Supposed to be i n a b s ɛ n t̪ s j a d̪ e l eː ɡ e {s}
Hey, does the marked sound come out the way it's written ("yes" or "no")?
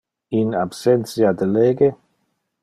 no